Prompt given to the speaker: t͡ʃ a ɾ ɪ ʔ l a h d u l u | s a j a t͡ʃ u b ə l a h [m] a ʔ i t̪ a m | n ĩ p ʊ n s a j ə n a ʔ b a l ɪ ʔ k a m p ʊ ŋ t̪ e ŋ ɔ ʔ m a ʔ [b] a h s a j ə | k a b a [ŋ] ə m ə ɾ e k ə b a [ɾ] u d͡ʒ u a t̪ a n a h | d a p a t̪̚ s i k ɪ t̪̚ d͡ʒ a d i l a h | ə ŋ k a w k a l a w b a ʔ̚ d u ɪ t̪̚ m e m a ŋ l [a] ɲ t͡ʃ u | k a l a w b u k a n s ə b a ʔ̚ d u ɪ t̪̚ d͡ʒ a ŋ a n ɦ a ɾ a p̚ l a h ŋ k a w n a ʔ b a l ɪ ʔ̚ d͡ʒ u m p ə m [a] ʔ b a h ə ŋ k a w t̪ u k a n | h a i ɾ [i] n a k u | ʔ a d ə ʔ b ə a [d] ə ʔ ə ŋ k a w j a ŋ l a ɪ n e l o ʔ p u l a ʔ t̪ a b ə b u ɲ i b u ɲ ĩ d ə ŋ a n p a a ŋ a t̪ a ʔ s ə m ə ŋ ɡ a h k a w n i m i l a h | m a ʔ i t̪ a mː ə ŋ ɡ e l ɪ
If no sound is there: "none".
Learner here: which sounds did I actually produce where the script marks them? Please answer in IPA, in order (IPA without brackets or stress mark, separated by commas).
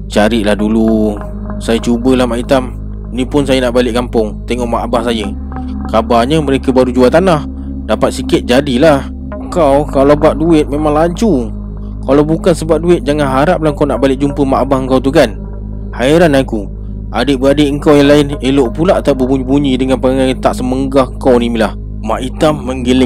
m, b, ɲ, ɾ, a, a, a, d